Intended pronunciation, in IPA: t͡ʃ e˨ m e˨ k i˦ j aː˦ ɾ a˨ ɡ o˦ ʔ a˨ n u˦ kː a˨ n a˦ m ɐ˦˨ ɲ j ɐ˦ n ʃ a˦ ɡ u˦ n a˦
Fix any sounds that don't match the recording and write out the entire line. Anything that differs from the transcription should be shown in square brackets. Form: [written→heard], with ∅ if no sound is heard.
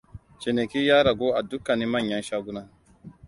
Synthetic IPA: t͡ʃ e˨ [m→n] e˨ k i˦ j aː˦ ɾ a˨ ɡ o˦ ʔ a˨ [n→d] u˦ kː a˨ n [a˦→i˦] m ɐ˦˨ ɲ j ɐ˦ n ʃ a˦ ɡ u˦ n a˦